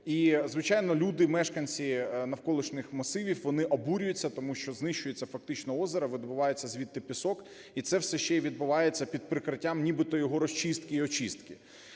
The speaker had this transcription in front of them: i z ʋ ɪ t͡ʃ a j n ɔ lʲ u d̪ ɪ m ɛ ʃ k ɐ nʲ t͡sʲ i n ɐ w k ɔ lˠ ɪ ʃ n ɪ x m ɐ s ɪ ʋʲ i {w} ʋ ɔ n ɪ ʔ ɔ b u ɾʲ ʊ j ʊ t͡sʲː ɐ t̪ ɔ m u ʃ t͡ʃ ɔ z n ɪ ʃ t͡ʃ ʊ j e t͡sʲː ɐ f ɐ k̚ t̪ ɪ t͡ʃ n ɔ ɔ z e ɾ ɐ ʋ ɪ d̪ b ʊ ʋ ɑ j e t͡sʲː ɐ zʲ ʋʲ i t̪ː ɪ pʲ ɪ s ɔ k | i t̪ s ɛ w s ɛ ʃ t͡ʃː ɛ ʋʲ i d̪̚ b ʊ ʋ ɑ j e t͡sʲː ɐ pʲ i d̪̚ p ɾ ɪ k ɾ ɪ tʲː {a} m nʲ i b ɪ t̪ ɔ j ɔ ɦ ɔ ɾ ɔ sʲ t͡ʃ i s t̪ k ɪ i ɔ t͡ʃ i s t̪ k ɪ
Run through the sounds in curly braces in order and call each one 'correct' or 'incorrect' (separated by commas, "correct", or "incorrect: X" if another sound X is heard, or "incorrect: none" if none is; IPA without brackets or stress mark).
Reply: correct, correct